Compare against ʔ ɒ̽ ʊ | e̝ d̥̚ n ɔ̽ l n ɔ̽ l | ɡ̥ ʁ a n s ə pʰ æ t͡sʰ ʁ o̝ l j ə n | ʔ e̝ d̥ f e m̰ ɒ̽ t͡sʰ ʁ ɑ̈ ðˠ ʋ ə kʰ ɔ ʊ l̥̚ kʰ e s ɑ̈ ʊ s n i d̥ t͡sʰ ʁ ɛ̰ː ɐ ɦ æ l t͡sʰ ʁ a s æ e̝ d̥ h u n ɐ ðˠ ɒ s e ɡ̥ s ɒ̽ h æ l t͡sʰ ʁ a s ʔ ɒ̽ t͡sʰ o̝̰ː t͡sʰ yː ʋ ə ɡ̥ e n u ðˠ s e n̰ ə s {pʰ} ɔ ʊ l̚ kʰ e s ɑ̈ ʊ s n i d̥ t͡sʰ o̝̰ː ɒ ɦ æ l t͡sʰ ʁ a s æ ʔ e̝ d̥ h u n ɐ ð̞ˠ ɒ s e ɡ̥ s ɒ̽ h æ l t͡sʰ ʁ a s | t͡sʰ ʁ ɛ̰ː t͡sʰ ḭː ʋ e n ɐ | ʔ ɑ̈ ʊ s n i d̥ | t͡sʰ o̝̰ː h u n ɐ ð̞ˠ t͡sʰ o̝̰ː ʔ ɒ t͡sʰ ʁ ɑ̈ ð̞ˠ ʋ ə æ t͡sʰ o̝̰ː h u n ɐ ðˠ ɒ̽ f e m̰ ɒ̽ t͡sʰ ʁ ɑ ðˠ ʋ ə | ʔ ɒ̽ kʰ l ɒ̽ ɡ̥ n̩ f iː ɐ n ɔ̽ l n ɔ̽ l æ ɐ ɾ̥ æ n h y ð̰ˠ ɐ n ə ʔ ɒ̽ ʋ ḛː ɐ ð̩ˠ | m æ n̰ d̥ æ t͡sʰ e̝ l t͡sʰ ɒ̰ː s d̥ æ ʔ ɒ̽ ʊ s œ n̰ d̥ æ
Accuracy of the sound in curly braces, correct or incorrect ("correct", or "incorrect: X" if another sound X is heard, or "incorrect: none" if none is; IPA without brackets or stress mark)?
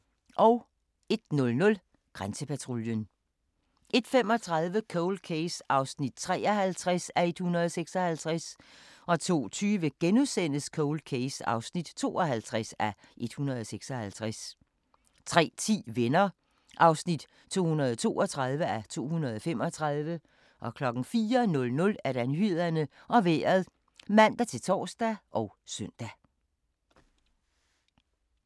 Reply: incorrect: kʰ